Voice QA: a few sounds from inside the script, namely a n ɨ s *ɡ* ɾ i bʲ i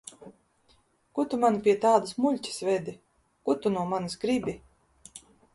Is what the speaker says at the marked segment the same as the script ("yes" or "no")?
yes